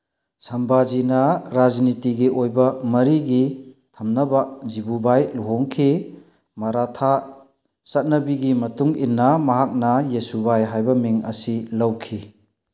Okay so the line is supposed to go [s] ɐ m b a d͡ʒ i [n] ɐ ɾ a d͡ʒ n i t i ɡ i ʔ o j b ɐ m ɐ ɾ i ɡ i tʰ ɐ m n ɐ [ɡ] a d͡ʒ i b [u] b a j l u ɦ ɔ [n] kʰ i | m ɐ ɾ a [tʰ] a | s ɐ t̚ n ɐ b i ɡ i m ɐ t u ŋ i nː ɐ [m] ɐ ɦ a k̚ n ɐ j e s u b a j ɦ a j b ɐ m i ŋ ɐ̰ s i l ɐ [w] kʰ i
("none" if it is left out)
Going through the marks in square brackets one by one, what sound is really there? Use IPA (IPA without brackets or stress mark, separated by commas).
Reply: s, n, b, u, ŋ, tʰ, m, w